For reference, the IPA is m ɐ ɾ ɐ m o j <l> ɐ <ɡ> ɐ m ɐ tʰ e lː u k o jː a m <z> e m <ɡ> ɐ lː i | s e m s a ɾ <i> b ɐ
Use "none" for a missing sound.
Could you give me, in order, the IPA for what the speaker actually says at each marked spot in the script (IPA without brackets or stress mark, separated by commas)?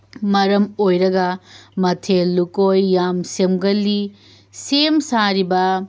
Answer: ɾ, ɡ, s, ɡ, i